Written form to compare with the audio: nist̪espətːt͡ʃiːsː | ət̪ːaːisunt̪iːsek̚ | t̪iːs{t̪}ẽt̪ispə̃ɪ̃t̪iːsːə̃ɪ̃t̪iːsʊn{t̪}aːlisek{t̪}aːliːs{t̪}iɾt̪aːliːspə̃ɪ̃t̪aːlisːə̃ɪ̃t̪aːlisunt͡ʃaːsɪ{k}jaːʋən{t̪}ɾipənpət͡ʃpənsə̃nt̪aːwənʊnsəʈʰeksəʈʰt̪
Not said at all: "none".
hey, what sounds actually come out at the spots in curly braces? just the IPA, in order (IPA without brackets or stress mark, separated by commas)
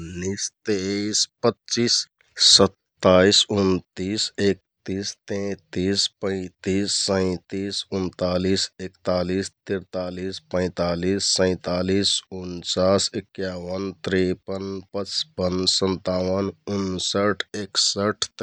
t̪, t̪, t̪, t̪, k, t̪